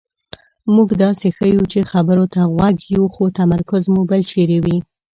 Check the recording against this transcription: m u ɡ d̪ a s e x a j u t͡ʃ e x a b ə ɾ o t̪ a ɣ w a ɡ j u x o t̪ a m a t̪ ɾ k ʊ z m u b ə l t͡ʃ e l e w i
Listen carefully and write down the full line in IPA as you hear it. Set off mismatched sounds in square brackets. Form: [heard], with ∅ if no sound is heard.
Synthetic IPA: m u ɡ d̪ [ɑ] s e x [ə] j u t͡ʃ e x a b ə ɾ o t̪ a ɣ w a ɡ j u x o t̪ a m a [∅] ɾ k ʊ z m u b ə l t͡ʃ e [ɾ] e w i